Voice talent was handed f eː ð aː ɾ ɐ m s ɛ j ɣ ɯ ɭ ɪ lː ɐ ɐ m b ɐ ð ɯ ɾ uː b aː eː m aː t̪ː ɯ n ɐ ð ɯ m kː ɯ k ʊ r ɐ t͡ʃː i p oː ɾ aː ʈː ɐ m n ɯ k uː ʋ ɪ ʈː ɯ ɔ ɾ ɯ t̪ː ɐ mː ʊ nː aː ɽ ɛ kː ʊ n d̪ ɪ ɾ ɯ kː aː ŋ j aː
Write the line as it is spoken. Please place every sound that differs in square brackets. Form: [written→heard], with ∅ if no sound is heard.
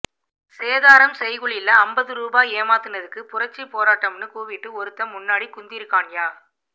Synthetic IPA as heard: [f→s] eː ð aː ɾ ɐ m s ɛ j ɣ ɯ ɭ ɪ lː ɐ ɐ m b ɐ ð ɯ ɾ uː b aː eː m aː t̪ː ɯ n ɐ ð ɯ [m→∅] kː ɯ [k→p] ʊ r ɐ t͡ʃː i p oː ɾ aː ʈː ɐ m n ɯ k uː ʋ ɪ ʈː ɯ ɔ ɾ ɯ t̪ː ɐ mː ʊ nː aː ɽ [ɛ→i] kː ʊ n d̪ ɪ ɾ ɯ kː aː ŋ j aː

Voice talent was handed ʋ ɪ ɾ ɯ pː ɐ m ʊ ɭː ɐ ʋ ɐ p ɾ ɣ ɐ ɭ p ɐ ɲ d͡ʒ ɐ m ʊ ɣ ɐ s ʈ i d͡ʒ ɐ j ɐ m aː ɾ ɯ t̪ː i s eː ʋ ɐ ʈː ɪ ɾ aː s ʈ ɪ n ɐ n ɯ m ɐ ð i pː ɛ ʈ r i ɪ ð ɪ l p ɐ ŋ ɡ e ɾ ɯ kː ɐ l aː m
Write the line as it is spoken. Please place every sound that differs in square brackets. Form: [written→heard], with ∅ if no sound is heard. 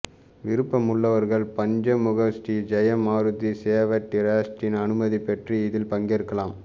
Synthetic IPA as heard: ʋ ɪ ɾ ɯ pː ɐ m ʊ ɭː ɐ ʋ ɐ [p→∅] ɾ ɣ ɐ ɭ p ɐ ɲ d͡ʒ ɐ m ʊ ɣ ɐ s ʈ i d͡ʒ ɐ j ɐ m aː ɾ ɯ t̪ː i s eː ʋ ɐ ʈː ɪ ɾ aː s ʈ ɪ n ɐ n ɯ m ɐ ð i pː ɛ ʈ r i ɪ ð ɪ l p ɐ ŋ ɡ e ɾ ɯ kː ɐ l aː m

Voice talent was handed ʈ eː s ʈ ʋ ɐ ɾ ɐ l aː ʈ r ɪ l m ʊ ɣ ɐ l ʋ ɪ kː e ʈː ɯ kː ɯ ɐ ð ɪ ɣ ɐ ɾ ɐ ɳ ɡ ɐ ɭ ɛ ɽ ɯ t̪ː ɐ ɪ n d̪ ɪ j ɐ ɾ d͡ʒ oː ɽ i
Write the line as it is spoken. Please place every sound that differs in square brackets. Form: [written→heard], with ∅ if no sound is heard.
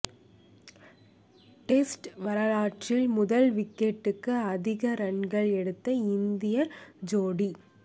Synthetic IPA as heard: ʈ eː s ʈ ʋ ɐ ɾ ɐ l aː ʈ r ɪ l m ʊ [ɣ→ð] ɐ l ʋ ɪ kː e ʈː ɯ kː ɯ ɐ ð ɪ ɣ ɐ ɾ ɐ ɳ ɡ ɐ ɭ ɛ ɽ ɯ t̪ː ɐ ɪ n d̪ ɪ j ɐ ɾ d͡ʒ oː ɽ i

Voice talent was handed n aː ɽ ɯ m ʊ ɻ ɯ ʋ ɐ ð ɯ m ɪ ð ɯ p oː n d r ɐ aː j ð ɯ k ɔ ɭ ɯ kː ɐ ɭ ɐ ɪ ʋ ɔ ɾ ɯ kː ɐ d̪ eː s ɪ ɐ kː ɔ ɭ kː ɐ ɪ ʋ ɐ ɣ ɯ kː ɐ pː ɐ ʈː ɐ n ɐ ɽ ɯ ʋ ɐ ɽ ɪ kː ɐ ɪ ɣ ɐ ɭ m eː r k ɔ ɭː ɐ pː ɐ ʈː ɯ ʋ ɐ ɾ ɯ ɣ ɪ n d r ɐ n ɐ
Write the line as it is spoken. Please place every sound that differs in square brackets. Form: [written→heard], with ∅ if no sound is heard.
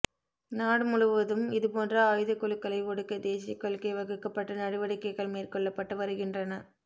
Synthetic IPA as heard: n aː ɽ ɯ m ʊ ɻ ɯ ʋ ɐ ð ɯ m ɪ ð ɯ p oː n d r ɐ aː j ð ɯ k ɔ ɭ ɯ kː ɐ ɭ ɐ ɪ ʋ ɔ [ɾ→ɽ] ɯ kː ɐ d̪ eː s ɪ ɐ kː ɔ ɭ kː ɐ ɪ ʋ ɐ ɣ ɯ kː ɐ pː ɐ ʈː ɐ n ɐ ɽ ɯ ʋ ɐ ɽ ɪ kː ɐ ɪ ɣ ɐ ɭ m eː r k ɔ ɭː ɐ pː ɐ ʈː ɯ ʋ ɐ ɾ ɯ ɣ ɪ n d r ɐ n ɐ

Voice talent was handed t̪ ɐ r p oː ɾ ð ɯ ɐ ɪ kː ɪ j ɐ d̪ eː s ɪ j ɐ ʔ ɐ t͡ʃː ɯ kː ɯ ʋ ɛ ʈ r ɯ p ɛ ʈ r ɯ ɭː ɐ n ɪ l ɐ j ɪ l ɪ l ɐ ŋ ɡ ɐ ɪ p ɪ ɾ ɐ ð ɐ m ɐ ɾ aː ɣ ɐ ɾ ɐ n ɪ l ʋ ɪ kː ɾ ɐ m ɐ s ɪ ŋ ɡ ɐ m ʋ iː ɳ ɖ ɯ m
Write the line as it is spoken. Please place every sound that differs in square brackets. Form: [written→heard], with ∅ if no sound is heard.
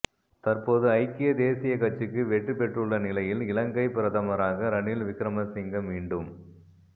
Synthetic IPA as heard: t̪ ɐ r p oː [ɾ→∅] ð ɯ ɐ ɪ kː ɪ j ɐ d̪ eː s ɪ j ɐ [ʔ→k] ɐ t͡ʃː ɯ kː ɯ ʋ ɛ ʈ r ɯ p ɛ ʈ r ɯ ɭː ɐ n ɪ l ɐ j ɪ l ɪ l ɐ ŋ ɡ ɐ ɪ p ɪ ɾ ɐ ð ɐ m ɐ ɾ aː ɣ ɐ ɾ ɐ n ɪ l ʋ ɪ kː ɾ ɐ m ɐ s ɪ ŋ ɡ ɐ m ʋ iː ɳ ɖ ɯ m

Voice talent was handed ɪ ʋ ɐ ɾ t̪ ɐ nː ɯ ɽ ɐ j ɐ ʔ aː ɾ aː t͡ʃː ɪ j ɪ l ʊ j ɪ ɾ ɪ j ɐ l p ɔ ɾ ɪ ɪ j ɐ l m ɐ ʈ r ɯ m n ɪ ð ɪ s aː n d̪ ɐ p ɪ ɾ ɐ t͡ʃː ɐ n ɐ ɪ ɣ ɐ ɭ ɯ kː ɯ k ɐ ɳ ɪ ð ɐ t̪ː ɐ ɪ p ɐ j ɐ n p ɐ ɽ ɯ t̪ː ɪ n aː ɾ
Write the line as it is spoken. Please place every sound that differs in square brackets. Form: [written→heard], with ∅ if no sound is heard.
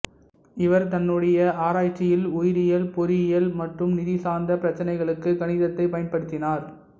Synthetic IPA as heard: ɪ ʋ ɐ ɾ t̪ ɐ nː ɯ ɽ ɐ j ɐ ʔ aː ɾ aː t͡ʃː ɪ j ɪ l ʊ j ɪ ɾ ɪ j ɐ l p ɔ ɾ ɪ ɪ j ɐ l m ɐ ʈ r ɯ m n ɪ ð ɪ s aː n d̪ ɐ p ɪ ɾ ɐ t͡ʃː ɐ n ɐ ɪ ɣ ɐ ɭ ɯ kː ɯ k ɐ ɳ ɪ ð ɐ t̪ː ɐ ɪ p ɐ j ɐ n p ɐ ɽ ɯ t̪ː ɪ n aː ɾ

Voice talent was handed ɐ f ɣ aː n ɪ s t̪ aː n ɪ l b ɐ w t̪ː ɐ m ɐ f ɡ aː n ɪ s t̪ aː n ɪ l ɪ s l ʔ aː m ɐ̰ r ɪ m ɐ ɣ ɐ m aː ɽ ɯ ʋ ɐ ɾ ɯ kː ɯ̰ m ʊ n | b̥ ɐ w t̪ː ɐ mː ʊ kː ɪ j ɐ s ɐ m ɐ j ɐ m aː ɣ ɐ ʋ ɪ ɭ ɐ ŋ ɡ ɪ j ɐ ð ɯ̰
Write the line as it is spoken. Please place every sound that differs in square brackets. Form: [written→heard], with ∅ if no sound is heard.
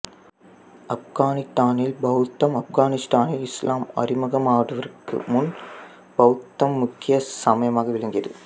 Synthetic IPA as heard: ɐ f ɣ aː n ɪ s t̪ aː n ɪ l b ɐ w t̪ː ɐ m ɐ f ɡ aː n ɪ s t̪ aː n ɪ l ɪ s l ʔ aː m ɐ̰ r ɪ m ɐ ɣ ɐ m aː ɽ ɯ ʋ ɐ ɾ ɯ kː ɯ̰ m ʊ n | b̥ ɐ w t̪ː ɐ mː ʊ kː ɪ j ɐ s ɐ m ɐ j ɐ m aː ɣ ɐ ʋ ɪ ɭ ɐ ŋ ɡ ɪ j ɐ ð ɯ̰

